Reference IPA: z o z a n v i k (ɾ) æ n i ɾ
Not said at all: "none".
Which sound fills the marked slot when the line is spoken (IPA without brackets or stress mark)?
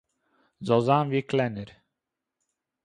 l